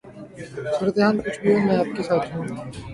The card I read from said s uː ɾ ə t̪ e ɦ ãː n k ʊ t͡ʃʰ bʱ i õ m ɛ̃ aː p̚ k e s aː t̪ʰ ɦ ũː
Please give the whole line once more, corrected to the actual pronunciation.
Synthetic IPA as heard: s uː ɾ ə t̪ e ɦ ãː n k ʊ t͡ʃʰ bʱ i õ m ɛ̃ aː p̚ k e s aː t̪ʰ ɦ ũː